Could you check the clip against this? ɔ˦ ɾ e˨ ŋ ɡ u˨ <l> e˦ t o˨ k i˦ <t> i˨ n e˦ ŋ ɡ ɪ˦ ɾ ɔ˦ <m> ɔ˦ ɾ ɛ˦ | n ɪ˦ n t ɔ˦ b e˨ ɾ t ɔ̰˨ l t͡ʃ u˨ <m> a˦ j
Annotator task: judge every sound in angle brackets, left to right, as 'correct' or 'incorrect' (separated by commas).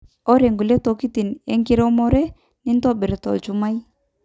correct, correct, correct, correct